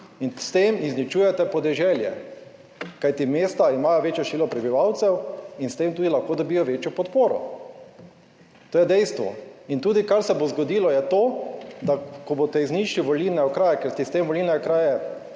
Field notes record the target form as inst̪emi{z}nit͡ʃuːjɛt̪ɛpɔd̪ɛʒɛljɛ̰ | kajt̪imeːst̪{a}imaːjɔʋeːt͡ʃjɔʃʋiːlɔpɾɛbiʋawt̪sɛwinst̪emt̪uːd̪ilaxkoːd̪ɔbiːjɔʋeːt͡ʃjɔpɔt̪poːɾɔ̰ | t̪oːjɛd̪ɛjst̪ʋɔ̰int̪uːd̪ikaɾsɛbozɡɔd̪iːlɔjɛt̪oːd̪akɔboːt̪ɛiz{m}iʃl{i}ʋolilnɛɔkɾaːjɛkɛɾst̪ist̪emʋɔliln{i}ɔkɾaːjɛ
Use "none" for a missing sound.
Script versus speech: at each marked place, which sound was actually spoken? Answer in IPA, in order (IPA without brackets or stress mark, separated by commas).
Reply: z, a, n, i, ɛ